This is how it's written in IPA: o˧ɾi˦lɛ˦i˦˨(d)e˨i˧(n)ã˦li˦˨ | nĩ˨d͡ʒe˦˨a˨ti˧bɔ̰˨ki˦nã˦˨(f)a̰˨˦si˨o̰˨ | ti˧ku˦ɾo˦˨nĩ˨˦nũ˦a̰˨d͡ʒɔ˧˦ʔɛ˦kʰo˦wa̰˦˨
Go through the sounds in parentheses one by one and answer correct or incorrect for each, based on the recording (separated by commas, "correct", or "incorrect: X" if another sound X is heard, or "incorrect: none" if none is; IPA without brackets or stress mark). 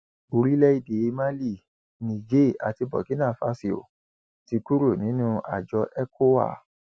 correct, incorrect: m, correct